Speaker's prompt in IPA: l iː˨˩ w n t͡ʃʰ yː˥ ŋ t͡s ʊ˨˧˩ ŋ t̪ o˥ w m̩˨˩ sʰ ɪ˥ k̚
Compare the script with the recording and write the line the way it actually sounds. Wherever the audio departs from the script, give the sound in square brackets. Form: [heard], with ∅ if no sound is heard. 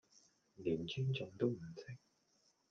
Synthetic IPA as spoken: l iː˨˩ [∅] n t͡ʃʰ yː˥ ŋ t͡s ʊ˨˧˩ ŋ t̪ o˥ w m̩˨˩ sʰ ɪ˥ k̚

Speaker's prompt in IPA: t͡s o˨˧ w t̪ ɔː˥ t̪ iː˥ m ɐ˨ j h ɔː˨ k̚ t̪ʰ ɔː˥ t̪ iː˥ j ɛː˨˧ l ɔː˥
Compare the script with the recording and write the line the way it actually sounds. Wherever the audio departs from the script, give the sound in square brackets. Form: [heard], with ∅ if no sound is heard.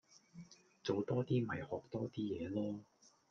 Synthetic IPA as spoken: t͡s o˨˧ w t̪ ɔː˥ t̪ iː˥ m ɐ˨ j h ɔː˨ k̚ [t̪] ɔː˥ t̪ iː˥ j ɛː˨˧ l ɔː˥

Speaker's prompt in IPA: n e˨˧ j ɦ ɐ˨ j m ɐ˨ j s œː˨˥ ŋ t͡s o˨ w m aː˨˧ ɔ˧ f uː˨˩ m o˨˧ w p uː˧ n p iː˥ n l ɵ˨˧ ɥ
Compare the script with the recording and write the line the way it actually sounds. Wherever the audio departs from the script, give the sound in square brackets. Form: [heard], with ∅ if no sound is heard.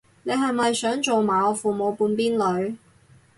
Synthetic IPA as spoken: n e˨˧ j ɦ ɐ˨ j m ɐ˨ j s œː˨˥ ŋ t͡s o˨ w m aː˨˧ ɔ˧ f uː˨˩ m o˨˧ w p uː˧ n p iː˥ n l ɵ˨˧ ɥ

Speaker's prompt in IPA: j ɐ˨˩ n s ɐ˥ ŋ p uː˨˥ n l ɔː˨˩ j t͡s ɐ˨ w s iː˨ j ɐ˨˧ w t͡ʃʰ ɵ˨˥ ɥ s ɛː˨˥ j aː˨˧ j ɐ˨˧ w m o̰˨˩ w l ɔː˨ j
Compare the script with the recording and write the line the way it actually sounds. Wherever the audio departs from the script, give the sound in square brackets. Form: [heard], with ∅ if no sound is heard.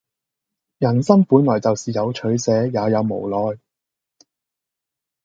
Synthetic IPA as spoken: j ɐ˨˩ n s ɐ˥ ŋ p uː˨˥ n l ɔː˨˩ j t͡s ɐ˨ w s iː˨ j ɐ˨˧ w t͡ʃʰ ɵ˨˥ ɥ s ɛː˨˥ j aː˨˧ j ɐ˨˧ w m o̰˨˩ w l ɔː˨ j

